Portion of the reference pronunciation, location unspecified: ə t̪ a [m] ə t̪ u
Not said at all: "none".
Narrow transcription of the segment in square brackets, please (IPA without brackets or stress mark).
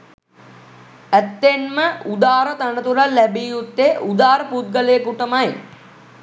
n